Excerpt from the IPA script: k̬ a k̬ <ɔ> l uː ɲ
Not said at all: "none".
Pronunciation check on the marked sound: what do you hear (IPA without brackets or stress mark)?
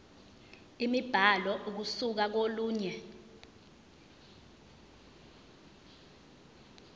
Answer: o